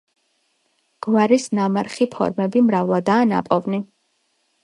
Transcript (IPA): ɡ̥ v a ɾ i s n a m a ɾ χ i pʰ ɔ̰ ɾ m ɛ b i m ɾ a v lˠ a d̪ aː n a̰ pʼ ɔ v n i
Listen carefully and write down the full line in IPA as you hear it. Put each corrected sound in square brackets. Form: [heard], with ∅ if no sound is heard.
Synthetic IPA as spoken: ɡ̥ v a ɾ i s n a m a ɾ χ i pʰ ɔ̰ ɾ m ɛ b i m ɾ a v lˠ a d̪ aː n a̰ pʼ ɔ v n i